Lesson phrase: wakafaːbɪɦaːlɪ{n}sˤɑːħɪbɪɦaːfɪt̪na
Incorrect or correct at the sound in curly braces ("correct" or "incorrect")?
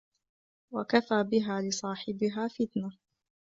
incorrect